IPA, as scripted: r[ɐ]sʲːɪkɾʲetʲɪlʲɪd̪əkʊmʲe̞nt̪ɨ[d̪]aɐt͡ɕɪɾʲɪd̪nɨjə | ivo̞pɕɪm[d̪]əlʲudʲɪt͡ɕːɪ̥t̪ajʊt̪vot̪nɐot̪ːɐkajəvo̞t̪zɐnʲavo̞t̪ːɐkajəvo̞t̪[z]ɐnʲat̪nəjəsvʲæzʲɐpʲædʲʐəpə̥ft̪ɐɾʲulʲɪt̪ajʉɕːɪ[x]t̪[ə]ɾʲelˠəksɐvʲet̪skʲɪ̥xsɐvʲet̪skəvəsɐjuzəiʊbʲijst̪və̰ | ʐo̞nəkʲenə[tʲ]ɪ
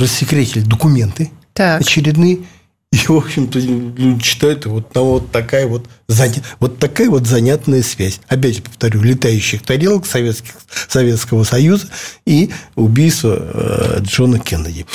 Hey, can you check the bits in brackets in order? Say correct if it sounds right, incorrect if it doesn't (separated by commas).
incorrect, incorrect, incorrect, correct, correct, incorrect, incorrect